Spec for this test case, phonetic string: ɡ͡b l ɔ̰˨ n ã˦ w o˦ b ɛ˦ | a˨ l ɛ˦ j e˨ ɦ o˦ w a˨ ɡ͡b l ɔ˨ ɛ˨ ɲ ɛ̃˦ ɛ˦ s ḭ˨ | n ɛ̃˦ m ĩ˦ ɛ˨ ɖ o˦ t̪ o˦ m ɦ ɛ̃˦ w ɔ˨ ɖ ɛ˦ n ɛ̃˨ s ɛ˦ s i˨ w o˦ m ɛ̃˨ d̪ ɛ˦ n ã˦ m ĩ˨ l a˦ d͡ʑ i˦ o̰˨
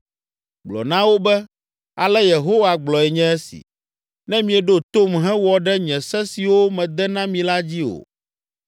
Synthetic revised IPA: ɡ͡b l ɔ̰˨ n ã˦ w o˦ b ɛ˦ | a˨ l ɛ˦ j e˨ ɦ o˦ w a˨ ɡ͡b l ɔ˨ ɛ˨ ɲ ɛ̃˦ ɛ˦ s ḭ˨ | n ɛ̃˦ m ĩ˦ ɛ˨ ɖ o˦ t̪ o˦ m ɦ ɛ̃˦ w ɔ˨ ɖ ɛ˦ ɲ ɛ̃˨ s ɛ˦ s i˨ w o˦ m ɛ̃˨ d̪ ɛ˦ n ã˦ m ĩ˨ l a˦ d͡ʑ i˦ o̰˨